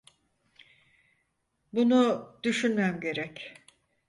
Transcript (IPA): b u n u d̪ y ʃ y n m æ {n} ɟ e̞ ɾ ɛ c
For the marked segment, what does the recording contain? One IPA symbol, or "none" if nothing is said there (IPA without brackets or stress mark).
m